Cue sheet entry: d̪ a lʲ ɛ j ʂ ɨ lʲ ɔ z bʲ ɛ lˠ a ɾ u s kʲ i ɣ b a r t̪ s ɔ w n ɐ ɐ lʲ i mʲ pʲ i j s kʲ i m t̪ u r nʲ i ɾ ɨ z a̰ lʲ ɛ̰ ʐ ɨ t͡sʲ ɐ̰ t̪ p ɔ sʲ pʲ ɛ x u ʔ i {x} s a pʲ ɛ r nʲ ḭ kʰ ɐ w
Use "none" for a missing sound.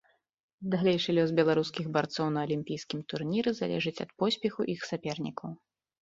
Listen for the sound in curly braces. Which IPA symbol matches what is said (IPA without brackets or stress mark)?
x